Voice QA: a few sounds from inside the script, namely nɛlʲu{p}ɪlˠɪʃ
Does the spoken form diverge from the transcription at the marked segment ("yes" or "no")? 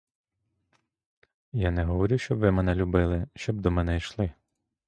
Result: yes